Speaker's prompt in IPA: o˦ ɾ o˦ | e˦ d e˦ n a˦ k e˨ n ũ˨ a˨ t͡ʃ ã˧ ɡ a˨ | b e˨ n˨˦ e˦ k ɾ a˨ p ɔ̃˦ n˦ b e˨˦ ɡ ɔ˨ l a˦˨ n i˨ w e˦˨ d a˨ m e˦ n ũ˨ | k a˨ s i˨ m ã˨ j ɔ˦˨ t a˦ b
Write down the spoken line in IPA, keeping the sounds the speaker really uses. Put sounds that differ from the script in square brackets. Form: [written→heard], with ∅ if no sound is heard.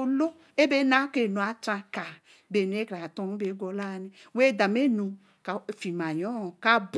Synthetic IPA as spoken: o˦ [ɾ→l] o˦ | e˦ [d→b] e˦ n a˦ k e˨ n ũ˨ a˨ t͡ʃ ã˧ [ɡ→k] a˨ | b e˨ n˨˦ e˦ k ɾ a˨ [p→t] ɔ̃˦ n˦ b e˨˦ ɡ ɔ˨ l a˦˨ n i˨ w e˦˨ d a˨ m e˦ n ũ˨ | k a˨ [s→f] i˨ m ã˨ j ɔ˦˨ [t→k] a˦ b